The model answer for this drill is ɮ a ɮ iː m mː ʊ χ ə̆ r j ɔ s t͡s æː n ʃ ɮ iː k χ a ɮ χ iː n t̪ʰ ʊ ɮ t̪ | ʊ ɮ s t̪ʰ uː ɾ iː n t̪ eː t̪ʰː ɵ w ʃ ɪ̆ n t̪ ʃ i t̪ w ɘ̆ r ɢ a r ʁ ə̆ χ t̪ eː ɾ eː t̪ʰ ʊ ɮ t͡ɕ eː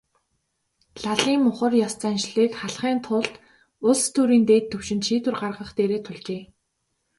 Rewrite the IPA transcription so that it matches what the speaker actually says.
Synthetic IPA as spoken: ɮ a ɮ iː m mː ʊ χ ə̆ r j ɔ s t͡s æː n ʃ ɮ iː k χ a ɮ χ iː n t̪ʰ ʊ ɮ t̪ | ʊ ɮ s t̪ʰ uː ɾ iː n t̪ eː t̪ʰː ɵ w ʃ ɪ̆ n t̪ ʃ iː t̪ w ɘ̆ r ɢ a r ʁ ə̆ χ t̪ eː ɾ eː t̪ʰ ʊ ɮ t͡ɕ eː

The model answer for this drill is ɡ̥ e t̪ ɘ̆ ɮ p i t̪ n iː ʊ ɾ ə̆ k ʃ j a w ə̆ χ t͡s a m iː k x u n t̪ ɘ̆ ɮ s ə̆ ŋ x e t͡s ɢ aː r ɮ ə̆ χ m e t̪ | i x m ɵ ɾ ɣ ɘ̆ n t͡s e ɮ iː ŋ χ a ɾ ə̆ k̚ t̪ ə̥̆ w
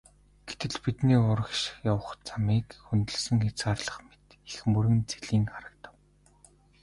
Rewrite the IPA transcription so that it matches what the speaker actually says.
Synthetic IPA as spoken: ɡ̥ e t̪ ɘ̆ ɮ p i t̪ n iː ʊ ɾ ə̆ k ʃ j a w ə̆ χ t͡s a m iː k x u n t̪ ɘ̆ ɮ s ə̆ ŋ x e t͡s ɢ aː r ɮ ə̆ χ m e t̪ | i x m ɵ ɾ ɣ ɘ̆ n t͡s e ɮ iː ŋ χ a ɾ ə̆ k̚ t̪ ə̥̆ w

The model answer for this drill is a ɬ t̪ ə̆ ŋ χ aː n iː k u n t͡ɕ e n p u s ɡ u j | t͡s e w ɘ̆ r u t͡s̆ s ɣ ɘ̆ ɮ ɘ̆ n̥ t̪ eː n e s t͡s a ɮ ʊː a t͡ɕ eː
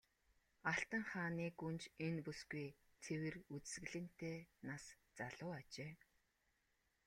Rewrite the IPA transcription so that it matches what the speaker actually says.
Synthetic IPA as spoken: a ɬ t̪ ə̆ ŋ χ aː n iː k u n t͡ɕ e n p u s ɡ u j | t͡sʰ e w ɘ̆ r u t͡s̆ s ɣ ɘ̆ ɮ ɘ̆ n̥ t̪ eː n a s t͡s a ɮ ʊː a t͡ɕ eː

